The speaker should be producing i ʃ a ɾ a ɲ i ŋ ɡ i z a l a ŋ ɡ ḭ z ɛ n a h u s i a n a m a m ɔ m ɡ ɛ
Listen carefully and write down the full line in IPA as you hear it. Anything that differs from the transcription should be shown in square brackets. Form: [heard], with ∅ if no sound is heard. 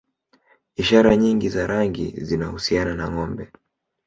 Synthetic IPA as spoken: i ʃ a ɾ a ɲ i ŋ ɡ i z a [ɾ] a ŋ ɡ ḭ z [i] n a h u s i a n a [n] a [ŋ] ɔ m [b] ɛ